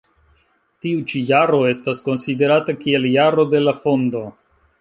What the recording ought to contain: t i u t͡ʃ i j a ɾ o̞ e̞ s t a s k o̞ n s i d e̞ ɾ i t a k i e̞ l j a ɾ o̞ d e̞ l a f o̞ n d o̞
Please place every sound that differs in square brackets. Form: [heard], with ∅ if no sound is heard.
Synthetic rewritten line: t i u t͡ʃ i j a ɾ o̞ e̞ s t a s k o̞ n s i d e̞ ɾ [a] t a k i e̞ l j a ɾ o̞ d e̞ l a f o̞ n d o̞